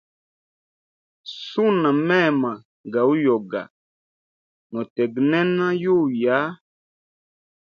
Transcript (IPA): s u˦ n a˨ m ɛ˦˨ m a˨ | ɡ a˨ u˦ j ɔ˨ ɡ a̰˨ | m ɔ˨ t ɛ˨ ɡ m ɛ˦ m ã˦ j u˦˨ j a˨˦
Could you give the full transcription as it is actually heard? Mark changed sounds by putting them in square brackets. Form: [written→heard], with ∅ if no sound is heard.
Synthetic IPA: s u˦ n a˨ m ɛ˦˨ m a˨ | ɡ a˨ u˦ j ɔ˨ ɡ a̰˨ | [m→n] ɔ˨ t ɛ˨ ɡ [m→n] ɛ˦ [m→n] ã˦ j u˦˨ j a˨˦